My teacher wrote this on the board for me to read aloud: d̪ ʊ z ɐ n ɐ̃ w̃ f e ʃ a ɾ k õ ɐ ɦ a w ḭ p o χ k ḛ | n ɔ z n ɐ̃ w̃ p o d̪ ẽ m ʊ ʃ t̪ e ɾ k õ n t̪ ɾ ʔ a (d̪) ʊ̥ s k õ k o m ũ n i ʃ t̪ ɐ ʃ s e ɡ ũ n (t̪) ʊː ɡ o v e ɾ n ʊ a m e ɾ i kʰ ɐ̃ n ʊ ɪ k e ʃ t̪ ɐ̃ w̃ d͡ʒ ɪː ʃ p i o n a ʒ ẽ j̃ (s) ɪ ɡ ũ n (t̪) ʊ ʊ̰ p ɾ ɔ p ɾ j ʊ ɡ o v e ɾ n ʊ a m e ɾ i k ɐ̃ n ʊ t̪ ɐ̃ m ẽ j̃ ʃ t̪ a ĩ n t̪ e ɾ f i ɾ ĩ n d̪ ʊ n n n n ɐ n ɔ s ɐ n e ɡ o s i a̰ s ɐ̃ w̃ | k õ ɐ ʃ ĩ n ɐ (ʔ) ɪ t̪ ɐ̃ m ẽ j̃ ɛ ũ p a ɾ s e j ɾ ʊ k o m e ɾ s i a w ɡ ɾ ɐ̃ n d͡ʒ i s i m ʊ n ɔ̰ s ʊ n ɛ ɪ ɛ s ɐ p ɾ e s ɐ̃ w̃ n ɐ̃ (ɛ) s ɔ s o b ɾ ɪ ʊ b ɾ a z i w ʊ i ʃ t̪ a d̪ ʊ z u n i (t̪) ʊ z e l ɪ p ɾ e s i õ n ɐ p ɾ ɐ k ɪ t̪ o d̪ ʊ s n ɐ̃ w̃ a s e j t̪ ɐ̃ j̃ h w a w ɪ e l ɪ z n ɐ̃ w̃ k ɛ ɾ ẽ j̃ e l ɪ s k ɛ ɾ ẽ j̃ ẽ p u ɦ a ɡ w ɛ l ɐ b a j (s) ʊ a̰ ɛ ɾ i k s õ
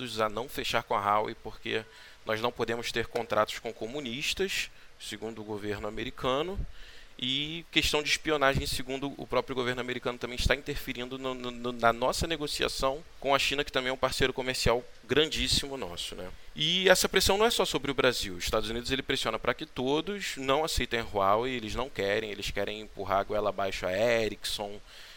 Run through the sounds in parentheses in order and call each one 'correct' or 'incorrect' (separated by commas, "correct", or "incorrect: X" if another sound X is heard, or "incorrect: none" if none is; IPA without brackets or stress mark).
incorrect: t̪, incorrect: d̪, correct, incorrect: d̪, incorrect: k, correct, incorrect: d̪, incorrect: ʃ